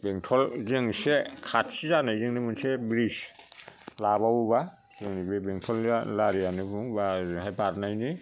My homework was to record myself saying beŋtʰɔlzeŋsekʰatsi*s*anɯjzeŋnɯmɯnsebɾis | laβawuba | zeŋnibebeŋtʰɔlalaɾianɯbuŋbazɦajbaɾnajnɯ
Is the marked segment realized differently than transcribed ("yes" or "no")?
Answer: yes